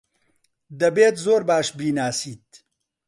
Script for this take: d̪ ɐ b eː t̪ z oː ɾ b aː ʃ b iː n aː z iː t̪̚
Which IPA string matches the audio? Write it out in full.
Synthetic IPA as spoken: d̪ ɐ b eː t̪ z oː ɾ b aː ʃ b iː n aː s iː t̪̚